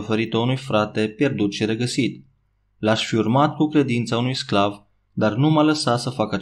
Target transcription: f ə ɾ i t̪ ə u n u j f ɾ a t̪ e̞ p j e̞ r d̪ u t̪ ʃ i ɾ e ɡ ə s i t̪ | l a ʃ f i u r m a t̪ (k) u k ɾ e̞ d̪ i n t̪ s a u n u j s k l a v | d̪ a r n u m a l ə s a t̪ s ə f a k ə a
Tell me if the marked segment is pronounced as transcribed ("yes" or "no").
yes